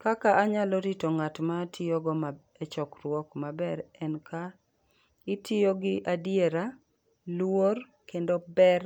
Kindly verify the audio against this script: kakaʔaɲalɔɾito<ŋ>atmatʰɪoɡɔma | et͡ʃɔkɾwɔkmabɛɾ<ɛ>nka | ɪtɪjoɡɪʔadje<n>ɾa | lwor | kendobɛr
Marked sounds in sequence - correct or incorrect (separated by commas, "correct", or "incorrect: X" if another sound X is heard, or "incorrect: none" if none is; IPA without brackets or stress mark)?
correct, correct, incorrect: none